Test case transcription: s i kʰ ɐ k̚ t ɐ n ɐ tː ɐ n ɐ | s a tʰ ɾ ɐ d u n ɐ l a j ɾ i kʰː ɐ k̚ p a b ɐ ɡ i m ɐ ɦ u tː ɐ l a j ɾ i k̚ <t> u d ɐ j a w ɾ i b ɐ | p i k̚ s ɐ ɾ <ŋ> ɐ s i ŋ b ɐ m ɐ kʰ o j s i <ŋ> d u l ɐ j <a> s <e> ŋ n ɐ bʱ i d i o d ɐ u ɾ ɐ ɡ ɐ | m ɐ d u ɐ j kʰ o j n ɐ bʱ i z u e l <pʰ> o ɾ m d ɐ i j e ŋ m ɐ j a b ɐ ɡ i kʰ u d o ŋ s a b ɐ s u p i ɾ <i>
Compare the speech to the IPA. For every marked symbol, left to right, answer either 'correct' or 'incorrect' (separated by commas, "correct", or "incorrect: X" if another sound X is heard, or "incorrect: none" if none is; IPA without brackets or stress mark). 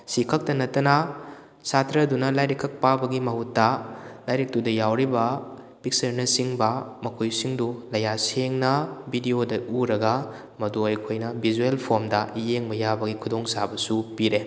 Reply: correct, incorrect: n, correct, correct, correct, correct, incorrect: e